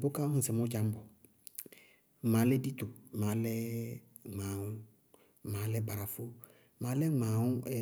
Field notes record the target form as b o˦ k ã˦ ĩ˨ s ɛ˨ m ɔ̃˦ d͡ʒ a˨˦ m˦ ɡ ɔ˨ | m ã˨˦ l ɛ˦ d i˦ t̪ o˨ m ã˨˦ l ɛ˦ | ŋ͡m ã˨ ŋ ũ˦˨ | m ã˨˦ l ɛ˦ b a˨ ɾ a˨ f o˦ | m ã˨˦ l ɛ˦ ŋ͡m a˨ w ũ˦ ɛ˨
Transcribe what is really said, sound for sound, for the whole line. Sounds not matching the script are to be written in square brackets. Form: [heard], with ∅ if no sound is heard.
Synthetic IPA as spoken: b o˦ k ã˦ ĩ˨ s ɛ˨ m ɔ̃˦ d͡ʒ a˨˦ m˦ [b] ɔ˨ | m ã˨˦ l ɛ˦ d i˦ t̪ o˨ m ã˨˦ l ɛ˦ | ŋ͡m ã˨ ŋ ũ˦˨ | m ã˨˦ l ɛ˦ b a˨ ɾ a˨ f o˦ | m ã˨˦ l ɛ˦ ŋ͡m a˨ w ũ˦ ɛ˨